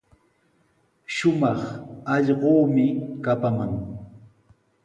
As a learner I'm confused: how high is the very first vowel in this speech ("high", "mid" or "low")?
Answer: high